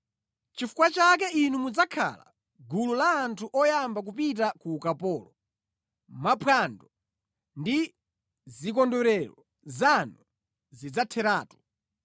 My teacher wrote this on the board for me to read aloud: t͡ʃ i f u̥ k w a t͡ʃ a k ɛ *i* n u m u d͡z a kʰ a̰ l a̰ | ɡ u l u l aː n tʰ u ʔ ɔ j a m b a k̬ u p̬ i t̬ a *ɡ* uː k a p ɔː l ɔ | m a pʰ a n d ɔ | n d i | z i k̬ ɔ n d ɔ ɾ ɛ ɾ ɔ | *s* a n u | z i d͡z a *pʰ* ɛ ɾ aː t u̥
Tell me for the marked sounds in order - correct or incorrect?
correct, incorrect: k, incorrect: z, incorrect: tʰ

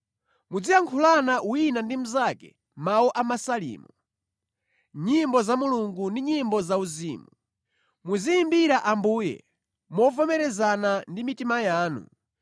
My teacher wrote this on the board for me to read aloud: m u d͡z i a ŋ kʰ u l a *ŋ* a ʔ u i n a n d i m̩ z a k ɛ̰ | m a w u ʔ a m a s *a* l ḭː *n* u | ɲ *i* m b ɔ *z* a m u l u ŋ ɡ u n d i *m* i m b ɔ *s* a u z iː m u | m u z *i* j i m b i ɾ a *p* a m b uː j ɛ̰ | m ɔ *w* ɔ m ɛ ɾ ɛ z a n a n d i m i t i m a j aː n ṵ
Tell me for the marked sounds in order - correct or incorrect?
incorrect: n, correct, incorrect: m, correct, correct, incorrect: ɲ, incorrect: z, correct, incorrect: ʔ, incorrect: v

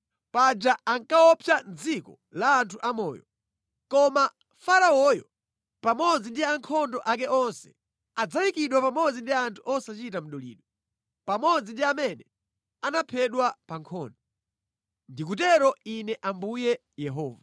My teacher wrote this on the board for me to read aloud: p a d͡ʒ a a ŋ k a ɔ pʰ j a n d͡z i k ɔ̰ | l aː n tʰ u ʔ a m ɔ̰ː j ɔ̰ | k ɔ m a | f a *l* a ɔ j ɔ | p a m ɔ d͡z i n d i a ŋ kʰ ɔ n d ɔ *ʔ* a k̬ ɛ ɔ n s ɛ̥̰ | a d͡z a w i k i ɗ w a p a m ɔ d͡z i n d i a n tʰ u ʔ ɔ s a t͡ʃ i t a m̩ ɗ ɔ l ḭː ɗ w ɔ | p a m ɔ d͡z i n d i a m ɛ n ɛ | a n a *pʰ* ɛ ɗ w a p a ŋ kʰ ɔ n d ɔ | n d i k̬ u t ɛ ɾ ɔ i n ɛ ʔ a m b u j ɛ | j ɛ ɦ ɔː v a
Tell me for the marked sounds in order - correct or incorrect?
incorrect: ɾ, correct, correct

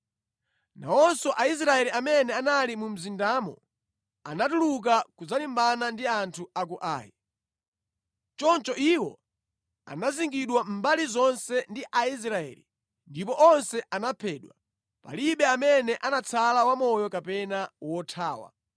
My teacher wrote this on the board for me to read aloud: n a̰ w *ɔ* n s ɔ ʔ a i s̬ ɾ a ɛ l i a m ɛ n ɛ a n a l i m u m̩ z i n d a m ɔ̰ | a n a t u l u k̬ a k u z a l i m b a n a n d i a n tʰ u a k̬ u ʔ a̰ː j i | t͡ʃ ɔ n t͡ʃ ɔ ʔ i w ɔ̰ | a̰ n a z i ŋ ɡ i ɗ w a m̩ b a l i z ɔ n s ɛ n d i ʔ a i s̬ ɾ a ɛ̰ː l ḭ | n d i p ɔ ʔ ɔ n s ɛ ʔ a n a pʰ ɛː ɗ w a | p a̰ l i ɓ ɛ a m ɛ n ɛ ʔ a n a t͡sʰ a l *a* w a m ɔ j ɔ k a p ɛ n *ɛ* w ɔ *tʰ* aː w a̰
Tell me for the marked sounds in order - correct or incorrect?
correct, correct, incorrect: a, correct

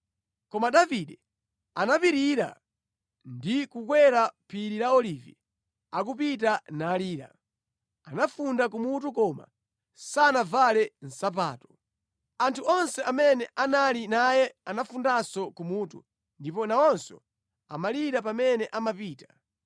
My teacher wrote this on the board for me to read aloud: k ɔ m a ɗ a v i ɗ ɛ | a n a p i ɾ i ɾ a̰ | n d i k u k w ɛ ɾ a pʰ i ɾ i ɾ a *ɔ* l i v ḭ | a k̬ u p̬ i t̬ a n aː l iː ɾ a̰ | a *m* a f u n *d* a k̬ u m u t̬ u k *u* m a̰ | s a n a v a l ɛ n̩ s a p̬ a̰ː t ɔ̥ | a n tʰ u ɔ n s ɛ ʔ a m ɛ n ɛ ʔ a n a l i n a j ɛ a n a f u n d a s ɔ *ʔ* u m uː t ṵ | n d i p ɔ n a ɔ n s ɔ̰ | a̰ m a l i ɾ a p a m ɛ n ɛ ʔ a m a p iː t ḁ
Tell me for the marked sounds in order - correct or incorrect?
correct, incorrect: n, correct, incorrect: ɔ, incorrect: k

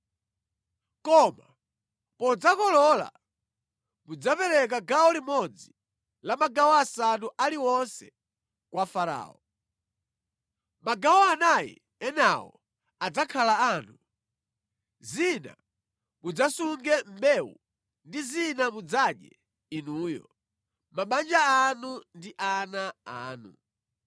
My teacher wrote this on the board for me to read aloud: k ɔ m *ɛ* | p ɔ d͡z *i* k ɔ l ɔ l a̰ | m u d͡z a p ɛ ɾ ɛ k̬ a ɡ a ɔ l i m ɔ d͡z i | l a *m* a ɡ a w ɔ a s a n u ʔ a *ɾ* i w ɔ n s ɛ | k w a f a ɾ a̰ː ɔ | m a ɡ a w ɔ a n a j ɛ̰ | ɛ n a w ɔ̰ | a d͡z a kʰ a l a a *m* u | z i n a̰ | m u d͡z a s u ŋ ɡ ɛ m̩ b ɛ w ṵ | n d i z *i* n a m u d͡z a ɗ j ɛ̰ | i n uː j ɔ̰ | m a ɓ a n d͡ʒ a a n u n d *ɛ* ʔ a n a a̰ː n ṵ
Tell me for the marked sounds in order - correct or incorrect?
incorrect: a, incorrect: a, correct, incorrect: l, incorrect: n, correct, incorrect: i

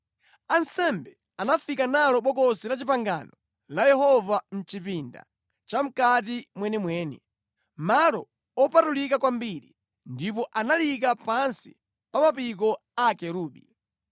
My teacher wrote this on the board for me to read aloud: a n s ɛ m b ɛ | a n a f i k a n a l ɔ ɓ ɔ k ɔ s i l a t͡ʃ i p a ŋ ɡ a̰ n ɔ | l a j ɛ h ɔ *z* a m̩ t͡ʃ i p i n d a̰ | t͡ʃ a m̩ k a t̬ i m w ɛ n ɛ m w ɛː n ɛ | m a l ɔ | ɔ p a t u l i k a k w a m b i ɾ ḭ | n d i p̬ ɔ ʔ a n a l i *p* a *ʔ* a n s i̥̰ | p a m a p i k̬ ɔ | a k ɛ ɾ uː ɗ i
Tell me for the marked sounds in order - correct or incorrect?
incorrect: v, incorrect: k, incorrect: p

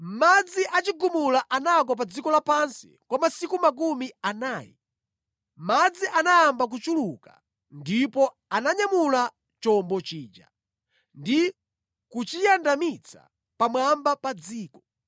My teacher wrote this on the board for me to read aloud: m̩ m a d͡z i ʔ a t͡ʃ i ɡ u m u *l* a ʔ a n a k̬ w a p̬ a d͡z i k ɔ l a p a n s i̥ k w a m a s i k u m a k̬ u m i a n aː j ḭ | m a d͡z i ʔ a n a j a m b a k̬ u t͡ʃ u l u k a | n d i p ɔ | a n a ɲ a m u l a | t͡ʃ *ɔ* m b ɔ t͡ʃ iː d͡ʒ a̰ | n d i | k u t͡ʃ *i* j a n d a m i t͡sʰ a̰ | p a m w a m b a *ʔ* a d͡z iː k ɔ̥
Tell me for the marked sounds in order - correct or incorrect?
correct, correct, correct, incorrect: p

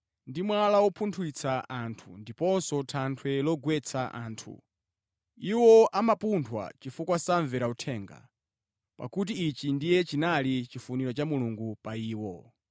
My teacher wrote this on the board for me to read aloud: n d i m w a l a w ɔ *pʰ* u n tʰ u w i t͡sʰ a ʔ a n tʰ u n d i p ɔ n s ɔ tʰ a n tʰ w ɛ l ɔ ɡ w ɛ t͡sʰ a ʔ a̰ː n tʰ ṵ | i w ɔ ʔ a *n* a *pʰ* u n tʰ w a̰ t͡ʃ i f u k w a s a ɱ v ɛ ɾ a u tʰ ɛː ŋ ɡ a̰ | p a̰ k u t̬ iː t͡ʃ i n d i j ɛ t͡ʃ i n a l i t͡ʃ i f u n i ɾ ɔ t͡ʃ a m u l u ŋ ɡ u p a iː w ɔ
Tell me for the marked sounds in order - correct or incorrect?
correct, incorrect: m, incorrect: p

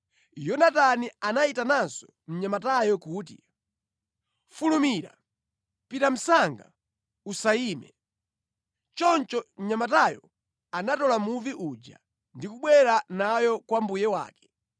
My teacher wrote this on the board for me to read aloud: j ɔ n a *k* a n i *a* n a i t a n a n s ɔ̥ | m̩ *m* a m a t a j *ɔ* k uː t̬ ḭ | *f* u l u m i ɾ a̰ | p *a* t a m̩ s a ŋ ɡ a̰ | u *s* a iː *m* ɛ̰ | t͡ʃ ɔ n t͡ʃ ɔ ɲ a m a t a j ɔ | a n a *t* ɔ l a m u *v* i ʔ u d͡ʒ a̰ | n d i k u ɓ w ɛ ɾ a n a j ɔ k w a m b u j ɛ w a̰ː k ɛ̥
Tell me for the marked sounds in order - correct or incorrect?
incorrect: t, correct, incorrect: ɲ, correct, correct, incorrect: i, correct, correct, correct, correct

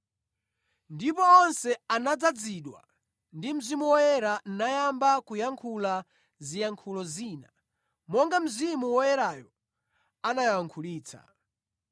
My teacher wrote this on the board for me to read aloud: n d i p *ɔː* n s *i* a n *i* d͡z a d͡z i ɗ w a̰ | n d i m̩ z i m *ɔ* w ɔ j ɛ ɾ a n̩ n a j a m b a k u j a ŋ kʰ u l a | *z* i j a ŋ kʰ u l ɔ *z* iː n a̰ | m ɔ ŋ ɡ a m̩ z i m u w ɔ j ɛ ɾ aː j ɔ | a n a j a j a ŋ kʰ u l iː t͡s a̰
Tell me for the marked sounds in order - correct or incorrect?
correct, incorrect: ɛ, incorrect: a, incorrect: u, correct, correct

